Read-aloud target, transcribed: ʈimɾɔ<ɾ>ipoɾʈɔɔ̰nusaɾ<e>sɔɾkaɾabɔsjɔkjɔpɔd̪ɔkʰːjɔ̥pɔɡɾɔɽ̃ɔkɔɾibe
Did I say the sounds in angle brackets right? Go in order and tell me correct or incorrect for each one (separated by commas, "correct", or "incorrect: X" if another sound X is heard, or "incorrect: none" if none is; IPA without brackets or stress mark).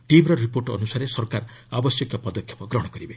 correct, correct